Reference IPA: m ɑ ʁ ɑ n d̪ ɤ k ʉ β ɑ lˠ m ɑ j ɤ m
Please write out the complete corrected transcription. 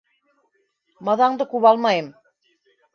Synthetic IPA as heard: m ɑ ð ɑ ɴ d̪ ɤ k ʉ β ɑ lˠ m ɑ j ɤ m